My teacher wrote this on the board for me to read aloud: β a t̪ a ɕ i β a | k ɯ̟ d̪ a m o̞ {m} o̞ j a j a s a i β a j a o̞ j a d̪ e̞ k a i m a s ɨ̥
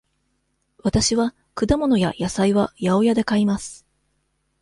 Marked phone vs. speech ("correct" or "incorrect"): incorrect